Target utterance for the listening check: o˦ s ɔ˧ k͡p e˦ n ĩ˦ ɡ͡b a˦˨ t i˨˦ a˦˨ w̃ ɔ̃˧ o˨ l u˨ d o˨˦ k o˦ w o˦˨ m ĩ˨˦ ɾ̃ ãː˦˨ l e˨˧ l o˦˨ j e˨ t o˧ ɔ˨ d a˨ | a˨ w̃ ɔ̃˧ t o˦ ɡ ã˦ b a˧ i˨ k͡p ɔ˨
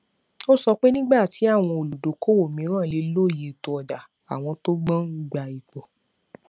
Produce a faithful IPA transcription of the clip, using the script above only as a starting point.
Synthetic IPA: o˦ s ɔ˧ k͡p e˦ n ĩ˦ ɡ͡b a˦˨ t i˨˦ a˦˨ w̃ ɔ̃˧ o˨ l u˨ d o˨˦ k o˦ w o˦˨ m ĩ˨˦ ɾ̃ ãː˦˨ l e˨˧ l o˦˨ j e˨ t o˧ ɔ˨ d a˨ | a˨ w̃ ɔ̃˧ t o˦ ɡ͡b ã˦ ɡ͡b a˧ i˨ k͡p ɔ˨